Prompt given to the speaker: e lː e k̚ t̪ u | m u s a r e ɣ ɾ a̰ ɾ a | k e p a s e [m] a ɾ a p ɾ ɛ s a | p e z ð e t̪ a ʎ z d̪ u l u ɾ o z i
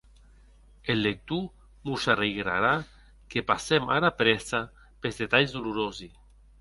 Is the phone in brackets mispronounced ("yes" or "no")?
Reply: no